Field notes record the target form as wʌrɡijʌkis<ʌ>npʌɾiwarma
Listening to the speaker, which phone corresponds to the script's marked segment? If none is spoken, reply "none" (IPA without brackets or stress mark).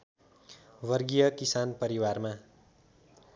a